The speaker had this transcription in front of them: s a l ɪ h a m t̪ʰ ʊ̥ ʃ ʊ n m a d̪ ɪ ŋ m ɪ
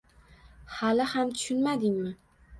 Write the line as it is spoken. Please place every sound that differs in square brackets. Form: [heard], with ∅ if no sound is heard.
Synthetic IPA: [h] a l ɪ h a m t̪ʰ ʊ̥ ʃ ʊ n m a d̪ ɪ ŋ m ɪ